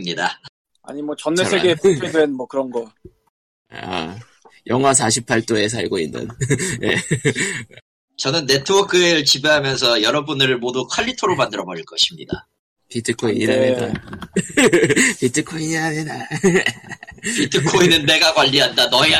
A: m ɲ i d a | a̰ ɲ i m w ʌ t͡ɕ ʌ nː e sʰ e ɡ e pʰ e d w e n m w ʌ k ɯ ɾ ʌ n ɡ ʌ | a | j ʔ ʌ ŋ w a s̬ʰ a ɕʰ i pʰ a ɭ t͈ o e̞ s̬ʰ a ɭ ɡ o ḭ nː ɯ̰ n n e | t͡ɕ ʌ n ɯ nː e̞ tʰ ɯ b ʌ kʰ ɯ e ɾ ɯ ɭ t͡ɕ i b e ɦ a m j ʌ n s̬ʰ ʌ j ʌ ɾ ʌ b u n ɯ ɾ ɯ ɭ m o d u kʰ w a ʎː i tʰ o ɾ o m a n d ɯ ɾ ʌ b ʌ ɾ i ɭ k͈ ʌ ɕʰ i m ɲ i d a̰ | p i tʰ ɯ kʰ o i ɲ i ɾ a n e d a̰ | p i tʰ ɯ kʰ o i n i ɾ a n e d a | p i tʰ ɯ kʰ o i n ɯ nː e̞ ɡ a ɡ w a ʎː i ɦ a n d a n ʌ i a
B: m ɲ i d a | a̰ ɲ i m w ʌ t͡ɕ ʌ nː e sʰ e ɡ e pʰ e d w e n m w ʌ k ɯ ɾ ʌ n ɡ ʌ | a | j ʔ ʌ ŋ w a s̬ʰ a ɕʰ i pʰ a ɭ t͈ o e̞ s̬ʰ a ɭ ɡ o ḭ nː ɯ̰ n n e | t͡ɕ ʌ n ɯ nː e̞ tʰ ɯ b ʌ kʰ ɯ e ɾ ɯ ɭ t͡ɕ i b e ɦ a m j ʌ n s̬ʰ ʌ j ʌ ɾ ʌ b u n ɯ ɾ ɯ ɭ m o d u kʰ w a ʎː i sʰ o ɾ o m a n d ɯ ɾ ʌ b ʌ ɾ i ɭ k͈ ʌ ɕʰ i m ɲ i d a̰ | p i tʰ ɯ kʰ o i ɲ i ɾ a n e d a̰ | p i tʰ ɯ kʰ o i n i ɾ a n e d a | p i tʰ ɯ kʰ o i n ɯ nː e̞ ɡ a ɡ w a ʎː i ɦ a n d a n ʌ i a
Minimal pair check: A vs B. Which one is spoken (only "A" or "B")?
A